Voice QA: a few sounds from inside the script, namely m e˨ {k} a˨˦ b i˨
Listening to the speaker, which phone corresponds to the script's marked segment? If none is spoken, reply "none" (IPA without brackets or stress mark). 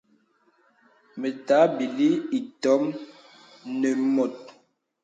t